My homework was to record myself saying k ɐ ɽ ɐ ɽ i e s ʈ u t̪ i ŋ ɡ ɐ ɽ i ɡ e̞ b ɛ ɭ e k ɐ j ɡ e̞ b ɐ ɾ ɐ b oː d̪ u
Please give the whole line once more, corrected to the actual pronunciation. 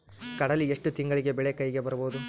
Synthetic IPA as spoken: k ɐ ɽ ɐ l i e ʂ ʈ u t̪ i ŋ ɡ ɐ ɭ i ɡ e̞ b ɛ ɭ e k ɐ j ɡ e̞ b ɐ ɾ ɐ b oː d̪ u